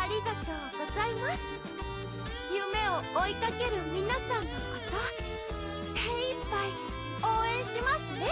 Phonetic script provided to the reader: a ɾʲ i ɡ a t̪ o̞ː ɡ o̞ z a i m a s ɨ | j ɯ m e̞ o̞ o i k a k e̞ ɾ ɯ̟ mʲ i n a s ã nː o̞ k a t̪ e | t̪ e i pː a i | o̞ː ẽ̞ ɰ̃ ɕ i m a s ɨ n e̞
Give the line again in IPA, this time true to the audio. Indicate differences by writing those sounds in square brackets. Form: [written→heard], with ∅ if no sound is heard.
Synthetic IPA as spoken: a ɾʲ i ɡ a t̪ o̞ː ɡ o̞ z a i m a s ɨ | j ɯ m e̞ o̞ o i k a k e̞ ɾ ɯ̟ mʲ i n a s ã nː o̞ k a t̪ [e→a] | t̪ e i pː a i | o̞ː ẽ̞ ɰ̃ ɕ i m a s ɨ n e̞